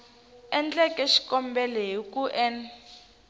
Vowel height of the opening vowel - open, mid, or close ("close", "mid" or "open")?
mid